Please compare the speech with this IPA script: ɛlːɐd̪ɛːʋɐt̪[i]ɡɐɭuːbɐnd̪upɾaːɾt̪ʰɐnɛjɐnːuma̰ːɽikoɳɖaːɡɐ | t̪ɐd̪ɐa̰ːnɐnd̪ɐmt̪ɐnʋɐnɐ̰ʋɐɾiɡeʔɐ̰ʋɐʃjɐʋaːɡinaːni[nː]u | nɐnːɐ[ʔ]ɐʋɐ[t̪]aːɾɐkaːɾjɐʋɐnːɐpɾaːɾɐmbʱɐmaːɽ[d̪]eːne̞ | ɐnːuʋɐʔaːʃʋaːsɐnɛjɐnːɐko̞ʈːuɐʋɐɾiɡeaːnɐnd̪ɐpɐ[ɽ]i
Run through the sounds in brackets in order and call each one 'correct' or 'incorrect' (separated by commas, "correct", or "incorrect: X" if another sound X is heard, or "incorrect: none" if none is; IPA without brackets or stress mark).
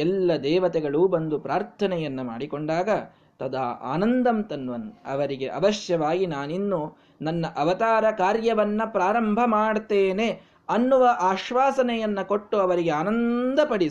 incorrect: ɛ, correct, correct, correct, incorrect: t̪, correct